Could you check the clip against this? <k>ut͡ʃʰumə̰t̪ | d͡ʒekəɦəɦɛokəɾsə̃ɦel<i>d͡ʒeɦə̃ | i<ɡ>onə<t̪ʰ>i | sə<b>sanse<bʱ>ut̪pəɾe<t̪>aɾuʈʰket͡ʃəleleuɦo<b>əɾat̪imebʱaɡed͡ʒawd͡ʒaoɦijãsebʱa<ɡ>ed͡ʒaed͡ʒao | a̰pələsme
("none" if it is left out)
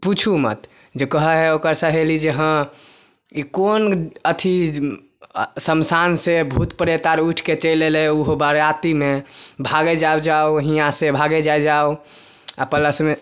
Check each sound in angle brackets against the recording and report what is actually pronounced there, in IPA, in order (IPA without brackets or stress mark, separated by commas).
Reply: p, i, k, t̪ʰ, m, bʱ, t̪, b, ɡ